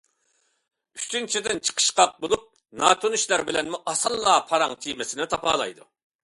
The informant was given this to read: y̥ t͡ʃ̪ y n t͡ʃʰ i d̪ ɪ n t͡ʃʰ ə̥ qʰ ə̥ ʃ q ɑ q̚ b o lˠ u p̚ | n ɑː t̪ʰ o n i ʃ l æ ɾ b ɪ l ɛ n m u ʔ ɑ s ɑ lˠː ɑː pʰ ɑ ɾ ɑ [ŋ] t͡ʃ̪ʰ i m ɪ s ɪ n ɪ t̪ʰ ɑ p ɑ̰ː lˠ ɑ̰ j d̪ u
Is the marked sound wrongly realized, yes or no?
no